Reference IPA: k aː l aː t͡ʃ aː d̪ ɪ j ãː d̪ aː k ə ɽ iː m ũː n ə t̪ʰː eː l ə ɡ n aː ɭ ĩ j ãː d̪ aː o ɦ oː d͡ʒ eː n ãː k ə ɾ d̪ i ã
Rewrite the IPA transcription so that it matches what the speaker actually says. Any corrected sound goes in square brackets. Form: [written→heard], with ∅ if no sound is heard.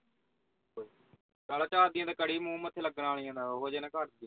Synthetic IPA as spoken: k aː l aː t͡ʃ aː d̪ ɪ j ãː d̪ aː k ə ɽ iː m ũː [n→m] ə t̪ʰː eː l ə ɡ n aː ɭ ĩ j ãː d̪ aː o ɦ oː d͡ʒ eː n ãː k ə ɾ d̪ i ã